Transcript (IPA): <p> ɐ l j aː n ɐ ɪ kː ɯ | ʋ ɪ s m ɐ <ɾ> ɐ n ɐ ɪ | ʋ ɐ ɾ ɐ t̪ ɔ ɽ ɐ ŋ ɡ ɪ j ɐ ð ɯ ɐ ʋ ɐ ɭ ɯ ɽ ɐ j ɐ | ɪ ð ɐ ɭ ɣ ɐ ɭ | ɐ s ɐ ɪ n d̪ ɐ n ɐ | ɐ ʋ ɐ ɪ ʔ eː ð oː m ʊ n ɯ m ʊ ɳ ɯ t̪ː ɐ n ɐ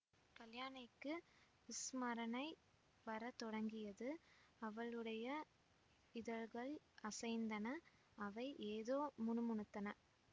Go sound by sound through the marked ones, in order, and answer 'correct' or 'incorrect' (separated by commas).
incorrect, correct